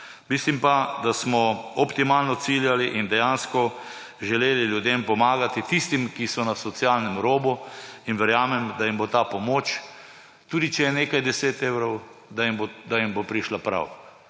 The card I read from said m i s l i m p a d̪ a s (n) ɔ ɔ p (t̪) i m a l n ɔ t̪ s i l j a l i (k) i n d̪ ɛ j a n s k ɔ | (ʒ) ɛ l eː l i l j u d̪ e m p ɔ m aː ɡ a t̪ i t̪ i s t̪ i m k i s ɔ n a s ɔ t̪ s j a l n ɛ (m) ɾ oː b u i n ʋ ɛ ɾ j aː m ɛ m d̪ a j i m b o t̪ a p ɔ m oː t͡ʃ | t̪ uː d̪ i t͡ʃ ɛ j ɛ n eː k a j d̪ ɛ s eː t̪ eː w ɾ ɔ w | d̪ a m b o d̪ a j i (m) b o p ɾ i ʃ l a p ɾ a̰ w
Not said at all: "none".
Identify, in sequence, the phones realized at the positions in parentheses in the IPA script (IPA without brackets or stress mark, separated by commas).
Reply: m, t̪, ʔ, ʒ, m, m